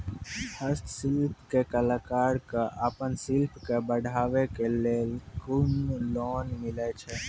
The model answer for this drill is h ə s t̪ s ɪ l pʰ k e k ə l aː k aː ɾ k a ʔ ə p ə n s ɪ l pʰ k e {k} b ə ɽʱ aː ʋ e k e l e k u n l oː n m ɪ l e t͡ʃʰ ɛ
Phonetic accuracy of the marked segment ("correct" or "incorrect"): incorrect